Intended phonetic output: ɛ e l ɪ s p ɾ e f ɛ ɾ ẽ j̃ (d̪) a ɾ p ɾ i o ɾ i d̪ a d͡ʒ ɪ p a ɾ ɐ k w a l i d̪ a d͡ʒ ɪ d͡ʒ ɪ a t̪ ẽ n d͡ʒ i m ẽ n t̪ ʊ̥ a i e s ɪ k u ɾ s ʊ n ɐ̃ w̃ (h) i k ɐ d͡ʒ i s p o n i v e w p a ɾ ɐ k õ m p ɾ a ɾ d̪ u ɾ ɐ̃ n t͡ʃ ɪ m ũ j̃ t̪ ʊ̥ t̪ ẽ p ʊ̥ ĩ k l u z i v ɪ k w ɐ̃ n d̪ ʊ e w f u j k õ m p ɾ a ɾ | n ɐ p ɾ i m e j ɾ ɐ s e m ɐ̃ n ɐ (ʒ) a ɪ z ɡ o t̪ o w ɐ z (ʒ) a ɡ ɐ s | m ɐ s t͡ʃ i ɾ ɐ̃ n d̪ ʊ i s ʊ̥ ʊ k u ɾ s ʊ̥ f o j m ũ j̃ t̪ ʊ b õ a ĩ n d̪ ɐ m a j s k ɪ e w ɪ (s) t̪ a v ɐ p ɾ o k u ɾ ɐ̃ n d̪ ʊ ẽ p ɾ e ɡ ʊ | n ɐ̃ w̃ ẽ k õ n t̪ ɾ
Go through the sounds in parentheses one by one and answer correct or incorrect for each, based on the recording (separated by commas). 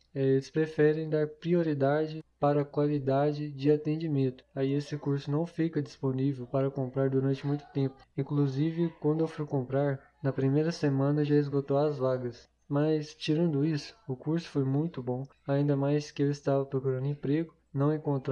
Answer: correct, incorrect, correct, incorrect, correct